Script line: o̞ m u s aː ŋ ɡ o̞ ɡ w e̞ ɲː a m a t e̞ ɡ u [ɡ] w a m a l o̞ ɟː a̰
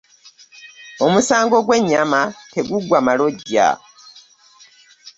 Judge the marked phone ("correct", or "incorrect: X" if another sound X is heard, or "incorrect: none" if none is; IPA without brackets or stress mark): correct